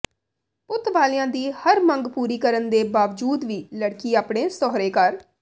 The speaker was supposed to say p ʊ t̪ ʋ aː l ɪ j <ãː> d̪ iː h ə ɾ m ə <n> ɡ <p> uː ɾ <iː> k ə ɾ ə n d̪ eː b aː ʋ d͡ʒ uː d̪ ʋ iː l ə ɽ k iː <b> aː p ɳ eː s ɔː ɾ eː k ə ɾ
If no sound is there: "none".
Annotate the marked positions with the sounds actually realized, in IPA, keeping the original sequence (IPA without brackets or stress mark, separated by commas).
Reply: ãː, ŋ, p, iː, none